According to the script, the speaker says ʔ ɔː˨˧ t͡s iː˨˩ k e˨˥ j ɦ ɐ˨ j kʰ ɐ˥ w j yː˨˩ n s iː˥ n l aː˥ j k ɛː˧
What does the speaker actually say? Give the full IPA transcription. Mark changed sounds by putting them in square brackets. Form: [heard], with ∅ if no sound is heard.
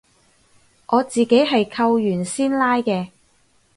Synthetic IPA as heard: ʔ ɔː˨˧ t͡s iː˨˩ k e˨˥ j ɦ ɐ˨ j kʰ [ɐ˧] w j yː˨˩ n s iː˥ n l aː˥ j k ɛː˧